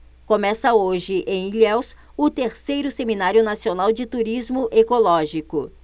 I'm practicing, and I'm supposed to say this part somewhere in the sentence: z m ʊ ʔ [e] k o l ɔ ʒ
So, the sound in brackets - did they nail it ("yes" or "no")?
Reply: yes